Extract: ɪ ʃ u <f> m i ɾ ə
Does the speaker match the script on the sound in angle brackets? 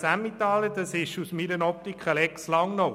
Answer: no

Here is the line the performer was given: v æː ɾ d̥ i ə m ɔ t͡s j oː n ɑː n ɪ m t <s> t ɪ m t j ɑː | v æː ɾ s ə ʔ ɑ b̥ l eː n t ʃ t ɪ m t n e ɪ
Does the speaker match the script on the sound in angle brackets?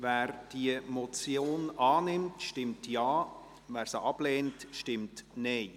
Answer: no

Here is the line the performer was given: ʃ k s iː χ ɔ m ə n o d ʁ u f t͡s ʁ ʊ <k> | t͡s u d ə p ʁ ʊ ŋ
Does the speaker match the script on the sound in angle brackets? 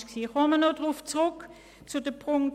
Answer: yes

